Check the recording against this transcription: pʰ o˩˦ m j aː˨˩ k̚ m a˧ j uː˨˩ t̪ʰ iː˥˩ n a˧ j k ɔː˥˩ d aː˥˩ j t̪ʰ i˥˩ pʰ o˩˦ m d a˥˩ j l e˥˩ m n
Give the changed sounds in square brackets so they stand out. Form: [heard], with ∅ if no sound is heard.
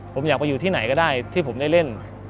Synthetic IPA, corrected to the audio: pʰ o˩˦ m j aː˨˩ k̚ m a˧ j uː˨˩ t̪ʰ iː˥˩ n [a˩˦] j k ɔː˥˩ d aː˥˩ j t̪ʰ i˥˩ pʰ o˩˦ m d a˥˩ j l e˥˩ [∅] n